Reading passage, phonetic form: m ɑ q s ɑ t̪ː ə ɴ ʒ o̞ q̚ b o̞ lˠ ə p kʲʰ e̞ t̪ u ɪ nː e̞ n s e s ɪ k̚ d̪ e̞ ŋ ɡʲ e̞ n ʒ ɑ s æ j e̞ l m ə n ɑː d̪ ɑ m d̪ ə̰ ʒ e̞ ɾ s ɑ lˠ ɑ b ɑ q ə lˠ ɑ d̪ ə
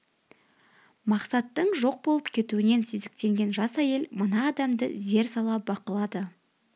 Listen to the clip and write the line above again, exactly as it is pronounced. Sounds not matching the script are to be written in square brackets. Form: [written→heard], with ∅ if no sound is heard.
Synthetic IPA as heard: m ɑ q s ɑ t̪ː ə ɴ ʒ o̞ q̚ b o̞ lˠ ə p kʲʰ e̞ t̪ u ɪ [nː→n] e̞ n s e [s→z] ɪ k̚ [d̪→t̪] e̞ ŋ ɡʲ e̞ n ʒ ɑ s æ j e̞ l m ə n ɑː d̪ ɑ m d̪ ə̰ [ʒ→z] e̞ ɾ s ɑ lˠ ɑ b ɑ q ə lˠ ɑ d̪ ə